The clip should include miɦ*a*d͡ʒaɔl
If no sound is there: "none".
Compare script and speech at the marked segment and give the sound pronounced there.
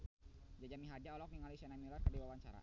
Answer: a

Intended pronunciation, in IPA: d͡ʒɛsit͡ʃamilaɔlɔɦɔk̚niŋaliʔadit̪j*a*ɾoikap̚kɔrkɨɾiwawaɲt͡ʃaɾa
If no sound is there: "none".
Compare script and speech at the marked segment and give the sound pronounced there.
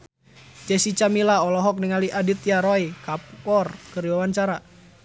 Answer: a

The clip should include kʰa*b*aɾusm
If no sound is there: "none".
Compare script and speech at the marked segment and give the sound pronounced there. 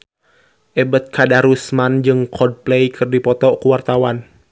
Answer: d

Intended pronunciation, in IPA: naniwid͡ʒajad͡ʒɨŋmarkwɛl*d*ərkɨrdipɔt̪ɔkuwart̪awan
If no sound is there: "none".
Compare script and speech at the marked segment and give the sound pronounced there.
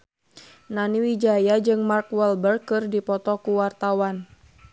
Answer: b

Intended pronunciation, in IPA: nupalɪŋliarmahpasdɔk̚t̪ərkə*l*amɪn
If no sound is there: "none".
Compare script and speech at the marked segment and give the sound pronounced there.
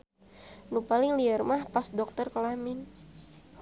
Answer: l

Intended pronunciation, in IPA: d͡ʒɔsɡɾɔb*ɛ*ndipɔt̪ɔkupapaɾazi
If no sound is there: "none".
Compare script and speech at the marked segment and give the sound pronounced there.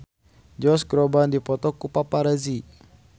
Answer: a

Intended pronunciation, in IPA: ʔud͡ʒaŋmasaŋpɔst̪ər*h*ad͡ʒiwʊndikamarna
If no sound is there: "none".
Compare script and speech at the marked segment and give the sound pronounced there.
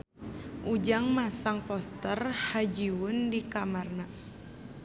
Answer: h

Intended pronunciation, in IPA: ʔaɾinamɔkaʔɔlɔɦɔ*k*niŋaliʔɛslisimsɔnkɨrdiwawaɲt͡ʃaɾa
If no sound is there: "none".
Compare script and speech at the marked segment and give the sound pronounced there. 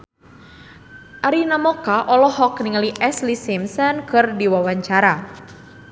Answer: k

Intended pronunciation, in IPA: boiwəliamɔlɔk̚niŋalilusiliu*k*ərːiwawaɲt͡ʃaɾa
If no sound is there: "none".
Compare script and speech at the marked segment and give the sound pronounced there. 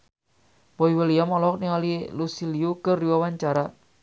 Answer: k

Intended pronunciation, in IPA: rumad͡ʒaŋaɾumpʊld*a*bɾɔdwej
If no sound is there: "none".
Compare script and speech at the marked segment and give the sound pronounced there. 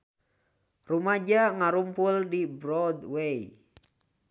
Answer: i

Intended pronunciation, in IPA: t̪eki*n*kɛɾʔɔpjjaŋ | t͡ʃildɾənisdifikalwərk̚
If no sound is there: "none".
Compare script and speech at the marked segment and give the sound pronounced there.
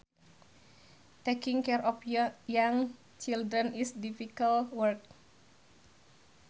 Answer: ŋ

